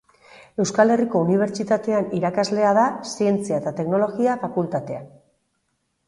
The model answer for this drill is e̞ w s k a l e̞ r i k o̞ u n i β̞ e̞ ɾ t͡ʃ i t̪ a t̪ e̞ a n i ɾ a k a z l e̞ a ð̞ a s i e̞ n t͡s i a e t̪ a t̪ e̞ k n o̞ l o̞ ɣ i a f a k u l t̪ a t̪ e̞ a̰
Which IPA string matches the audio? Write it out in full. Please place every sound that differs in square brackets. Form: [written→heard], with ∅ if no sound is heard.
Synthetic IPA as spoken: e̞ w s k a l e̞ r i k o̞ u n i β̞ e̞ ɾ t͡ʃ i t̪ a t̪ e̞ a n i ɾ a k a z l e̞ a ð̞ a s i e̞ n t͡s i a e t̪ a t̪ e̞ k n o̞ l o̞ ɣ i a f a k u l t̪ a t̪ e̞ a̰